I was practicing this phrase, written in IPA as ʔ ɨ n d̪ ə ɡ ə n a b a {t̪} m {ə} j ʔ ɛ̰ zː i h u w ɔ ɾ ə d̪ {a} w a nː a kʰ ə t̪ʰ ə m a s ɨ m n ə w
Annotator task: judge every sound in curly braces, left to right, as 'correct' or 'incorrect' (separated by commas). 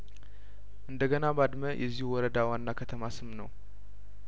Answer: incorrect, correct, correct